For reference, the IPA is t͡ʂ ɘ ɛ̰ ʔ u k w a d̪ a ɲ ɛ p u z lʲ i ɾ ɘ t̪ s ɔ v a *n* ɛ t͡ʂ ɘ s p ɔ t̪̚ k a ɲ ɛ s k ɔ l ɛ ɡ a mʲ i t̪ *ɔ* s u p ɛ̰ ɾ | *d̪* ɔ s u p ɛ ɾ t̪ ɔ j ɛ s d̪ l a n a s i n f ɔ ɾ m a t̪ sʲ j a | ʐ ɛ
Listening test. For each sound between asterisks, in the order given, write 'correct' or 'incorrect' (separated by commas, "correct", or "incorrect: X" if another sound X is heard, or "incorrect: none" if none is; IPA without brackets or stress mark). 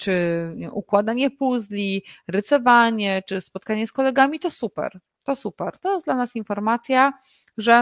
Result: incorrect: ɲ, correct, incorrect: t̪